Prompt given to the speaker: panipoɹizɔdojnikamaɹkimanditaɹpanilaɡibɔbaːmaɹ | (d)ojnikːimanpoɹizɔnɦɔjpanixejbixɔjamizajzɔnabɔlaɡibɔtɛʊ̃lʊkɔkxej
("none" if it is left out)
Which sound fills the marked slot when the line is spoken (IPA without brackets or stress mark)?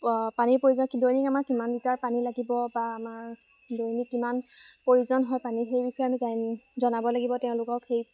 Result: d